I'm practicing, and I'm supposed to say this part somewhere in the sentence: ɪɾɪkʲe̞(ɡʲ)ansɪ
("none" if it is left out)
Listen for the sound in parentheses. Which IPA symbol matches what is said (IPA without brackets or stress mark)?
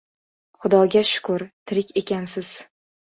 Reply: kʲ